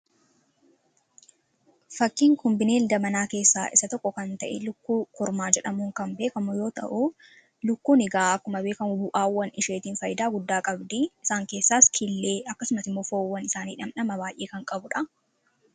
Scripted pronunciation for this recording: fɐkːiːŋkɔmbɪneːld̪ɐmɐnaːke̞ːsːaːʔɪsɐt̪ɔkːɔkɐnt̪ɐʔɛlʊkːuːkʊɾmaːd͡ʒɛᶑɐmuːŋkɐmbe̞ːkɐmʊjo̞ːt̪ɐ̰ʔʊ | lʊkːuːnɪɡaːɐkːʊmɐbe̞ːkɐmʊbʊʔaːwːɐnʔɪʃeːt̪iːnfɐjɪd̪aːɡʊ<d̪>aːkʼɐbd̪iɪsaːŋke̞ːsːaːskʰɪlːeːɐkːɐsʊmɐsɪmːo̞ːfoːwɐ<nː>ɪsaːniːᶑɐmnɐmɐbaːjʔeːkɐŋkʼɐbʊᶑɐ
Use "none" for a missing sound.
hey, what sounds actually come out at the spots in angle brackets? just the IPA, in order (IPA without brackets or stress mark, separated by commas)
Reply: d̪ː, n